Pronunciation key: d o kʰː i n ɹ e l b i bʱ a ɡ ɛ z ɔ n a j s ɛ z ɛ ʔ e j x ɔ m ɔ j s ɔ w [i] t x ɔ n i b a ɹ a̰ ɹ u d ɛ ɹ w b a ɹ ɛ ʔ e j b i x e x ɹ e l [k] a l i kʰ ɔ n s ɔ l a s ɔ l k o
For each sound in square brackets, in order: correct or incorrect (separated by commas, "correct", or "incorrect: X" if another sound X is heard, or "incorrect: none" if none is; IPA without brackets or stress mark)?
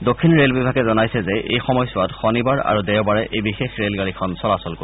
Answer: incorrect: a, incorrect: ɡ